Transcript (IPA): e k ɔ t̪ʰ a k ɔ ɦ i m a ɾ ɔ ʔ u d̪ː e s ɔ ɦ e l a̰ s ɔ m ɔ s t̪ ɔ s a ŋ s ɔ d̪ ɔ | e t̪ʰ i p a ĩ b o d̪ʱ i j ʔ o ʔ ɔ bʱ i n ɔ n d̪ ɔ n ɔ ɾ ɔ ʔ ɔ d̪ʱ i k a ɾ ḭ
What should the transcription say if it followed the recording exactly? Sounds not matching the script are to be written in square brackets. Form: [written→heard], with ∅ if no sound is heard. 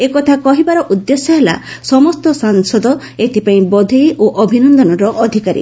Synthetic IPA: e k ɔ t̪ʰ a k ɔ ɦ i [m→b] a ɾ ɔ ʔ u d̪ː e s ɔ ɦ e l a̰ s ɔ m ɔ s t̪ ɔ s a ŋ s ɔ d̪ ɔ | e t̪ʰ i p a ĩ b [o→ɔ] d̪ʱ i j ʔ o ʔ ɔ bʱ i n ɔ n d̪ ɔ n ɔ ɾ ɔ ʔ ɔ d̪ʱ i k a ɾ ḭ